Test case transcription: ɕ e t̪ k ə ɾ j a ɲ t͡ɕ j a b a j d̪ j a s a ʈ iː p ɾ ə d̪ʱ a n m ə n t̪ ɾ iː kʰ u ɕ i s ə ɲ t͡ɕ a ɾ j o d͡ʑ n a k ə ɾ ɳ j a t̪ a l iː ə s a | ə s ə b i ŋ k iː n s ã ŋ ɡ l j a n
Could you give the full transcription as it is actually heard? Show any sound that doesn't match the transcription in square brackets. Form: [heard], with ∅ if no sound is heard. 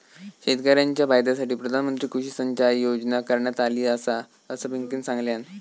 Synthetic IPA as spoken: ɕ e t̪ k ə ɾ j a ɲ t͡ɕ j a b a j d̪ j a s a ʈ iː p ɾ ə d̪ʱ a n m ə n t̪ ɾ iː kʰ u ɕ i s ə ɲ t͡ɕ a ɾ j o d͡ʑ n a k ə ɾ ɳ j a t̪ a l iː ə s a | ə s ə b i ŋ k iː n s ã ŋ ɡ l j a n